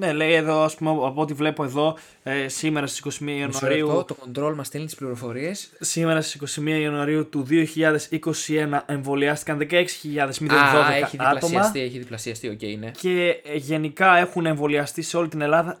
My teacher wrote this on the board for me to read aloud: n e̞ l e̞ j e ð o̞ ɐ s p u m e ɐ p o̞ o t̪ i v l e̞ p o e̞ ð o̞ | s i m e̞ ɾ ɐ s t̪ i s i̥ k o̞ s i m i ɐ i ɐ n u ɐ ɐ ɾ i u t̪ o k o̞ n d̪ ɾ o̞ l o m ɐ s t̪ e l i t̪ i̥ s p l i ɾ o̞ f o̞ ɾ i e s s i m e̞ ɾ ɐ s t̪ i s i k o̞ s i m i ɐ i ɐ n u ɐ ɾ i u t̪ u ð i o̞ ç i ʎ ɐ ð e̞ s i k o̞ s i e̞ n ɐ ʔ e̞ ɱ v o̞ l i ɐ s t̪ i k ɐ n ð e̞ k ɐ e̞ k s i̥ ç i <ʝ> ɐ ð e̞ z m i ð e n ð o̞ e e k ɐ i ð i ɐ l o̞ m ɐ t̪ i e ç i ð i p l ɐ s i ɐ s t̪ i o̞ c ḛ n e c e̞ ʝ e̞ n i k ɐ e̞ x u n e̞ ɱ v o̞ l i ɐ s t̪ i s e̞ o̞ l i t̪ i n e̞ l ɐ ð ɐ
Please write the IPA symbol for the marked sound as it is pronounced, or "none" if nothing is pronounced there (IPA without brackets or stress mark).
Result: ʎ